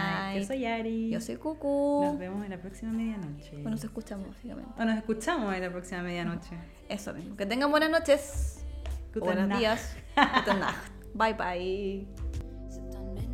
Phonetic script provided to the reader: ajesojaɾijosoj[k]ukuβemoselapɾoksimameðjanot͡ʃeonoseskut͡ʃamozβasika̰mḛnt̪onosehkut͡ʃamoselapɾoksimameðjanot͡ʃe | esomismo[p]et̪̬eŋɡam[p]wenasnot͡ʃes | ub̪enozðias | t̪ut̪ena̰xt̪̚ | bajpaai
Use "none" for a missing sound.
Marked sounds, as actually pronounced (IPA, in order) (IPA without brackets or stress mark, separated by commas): k, k, b